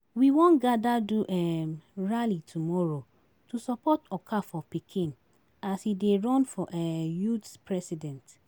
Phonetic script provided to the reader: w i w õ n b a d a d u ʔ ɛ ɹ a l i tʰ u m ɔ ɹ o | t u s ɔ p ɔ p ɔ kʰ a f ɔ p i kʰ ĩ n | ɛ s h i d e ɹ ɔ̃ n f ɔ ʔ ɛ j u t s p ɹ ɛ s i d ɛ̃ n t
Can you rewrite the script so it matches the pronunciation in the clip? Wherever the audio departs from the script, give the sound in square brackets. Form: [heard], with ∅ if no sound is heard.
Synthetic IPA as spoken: w i w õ n [ɡ] a d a d u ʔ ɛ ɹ a l i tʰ u m ɔ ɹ o | t u s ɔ p ɔ [t] ɔ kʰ a f ɔ p i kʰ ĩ n | [a] s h i d e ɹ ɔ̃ n f ɔ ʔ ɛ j u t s p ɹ ɛ s i d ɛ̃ n t